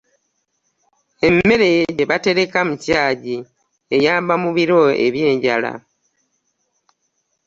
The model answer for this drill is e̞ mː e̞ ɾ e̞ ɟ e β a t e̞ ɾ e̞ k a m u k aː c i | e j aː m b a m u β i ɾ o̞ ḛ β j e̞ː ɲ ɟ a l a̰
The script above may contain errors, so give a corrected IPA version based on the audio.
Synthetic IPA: e̞ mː e̞ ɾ e̞ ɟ e β a t e̞ ɾ e̞ k a m u c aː ɟ i | e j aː m b a m u β i ɾ o̞ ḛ β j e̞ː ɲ ɟ a l a̰